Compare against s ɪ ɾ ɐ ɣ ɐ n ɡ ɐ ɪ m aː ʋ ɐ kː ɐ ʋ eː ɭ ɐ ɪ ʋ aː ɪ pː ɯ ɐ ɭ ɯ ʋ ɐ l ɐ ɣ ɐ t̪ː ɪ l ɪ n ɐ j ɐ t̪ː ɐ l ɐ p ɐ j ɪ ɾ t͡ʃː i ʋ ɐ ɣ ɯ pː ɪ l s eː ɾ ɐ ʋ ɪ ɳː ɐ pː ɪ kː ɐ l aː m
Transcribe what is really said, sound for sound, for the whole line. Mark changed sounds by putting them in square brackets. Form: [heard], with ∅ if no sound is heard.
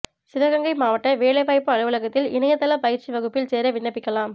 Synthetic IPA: s ɪ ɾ ɐ ɣ ɐ [ŋ] ɡ ɐ ɪ m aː ʋ ɐ [ʈː] ɐ ʋ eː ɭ ɐ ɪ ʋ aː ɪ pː ɯ ɐ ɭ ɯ ʋ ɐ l ɐ ɣ ɐ t̪ː ɪ l ɪ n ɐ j ɐ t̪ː ɐ l ɐ p ɐ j ɪ ɾ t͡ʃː i ʋ ɐ ɣ ɯ pː ɪ l s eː ɾ ɐ ʋ ɪ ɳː ɐ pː ɪ kː ɐ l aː m